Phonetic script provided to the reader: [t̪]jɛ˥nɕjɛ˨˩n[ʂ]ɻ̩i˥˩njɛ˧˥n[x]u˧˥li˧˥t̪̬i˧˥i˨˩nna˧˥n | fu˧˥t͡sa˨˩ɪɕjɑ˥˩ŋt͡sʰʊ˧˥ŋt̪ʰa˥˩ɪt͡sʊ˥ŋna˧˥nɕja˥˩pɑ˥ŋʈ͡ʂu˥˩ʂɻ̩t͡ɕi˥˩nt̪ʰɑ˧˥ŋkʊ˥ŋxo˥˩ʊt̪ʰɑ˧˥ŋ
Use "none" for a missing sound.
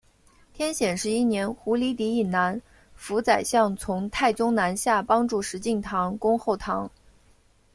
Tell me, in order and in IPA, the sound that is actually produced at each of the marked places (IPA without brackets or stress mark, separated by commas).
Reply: t̪ʰ, ʂ, x